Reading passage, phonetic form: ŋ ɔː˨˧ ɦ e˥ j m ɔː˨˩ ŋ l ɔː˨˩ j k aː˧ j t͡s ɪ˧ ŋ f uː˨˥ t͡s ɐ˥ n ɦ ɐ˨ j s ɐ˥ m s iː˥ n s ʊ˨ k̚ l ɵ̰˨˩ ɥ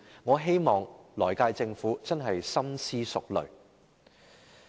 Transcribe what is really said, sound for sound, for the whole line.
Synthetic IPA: ŋ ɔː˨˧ ɦ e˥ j m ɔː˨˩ ŋ l ɔː˨˩ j k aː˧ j t͡s ɪ˧ ŋ f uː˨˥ t͡s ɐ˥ n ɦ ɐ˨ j s ɐ˥ m s iː˥ s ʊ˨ k̚ l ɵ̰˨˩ ɥ